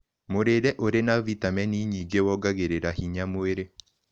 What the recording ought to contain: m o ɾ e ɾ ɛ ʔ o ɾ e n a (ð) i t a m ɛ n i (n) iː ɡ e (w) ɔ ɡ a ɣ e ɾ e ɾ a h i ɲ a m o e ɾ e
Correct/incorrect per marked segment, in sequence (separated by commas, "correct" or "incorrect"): incorrect, incorrect, correct